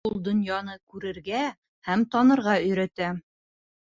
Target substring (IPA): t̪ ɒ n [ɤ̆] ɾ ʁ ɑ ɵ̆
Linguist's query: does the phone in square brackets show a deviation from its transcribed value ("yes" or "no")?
no